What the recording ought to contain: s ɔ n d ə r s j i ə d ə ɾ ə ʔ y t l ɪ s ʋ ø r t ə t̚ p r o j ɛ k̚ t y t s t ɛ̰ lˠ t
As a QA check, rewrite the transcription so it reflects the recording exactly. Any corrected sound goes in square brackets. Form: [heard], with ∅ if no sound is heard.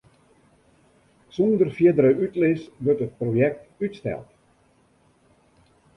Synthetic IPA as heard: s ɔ n d ə r [f] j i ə d ə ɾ ə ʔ y t l ɪ s ʋ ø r t ə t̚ p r o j ɛ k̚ t y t s t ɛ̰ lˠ t